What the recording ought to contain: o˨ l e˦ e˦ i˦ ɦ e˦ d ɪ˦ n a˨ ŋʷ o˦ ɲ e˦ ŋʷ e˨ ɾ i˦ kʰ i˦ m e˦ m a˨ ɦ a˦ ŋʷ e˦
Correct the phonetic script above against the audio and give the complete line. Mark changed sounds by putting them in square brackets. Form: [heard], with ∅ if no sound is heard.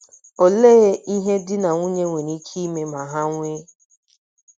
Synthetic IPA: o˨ l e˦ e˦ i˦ ɦ e˦ d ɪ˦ n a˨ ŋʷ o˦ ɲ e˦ ŋʷ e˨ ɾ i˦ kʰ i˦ m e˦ m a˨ ɦ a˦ ŋʷ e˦